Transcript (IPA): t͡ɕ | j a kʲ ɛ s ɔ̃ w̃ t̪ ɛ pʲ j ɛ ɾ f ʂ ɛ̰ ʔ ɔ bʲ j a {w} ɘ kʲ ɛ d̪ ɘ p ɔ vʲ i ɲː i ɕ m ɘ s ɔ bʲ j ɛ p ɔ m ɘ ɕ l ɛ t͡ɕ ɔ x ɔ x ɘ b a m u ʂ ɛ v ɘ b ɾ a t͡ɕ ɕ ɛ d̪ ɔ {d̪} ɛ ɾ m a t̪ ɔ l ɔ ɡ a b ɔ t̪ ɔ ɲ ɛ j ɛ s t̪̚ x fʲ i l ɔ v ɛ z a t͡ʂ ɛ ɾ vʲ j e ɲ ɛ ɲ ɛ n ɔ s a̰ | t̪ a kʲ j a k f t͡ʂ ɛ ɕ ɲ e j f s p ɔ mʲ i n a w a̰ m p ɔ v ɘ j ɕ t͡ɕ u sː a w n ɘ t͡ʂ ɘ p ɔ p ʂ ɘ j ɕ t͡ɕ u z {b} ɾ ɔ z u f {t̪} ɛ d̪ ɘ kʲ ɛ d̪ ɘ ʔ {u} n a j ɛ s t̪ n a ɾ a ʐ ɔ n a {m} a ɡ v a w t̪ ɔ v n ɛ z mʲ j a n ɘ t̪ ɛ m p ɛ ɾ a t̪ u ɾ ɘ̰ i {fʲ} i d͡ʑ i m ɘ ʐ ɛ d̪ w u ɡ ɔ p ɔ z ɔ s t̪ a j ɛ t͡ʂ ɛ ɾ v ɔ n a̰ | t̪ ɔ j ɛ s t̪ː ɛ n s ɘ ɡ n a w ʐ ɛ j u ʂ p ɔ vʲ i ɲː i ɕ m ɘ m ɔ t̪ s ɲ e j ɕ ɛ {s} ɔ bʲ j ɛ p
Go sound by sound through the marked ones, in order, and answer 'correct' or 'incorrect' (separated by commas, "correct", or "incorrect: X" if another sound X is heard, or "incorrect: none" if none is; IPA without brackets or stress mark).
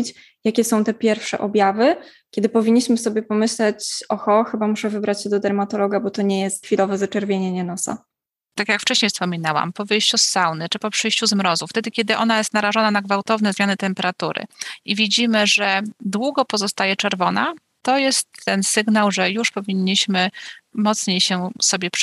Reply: incorrect: v, correct, incorrect: m, correct, incorrect: ɔ, incorrect: n, incorrect: vʲ, correct